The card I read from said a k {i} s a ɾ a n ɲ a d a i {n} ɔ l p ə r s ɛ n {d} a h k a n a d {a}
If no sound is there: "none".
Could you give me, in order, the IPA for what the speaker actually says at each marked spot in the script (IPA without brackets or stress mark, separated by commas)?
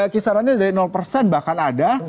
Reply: i, n, b, a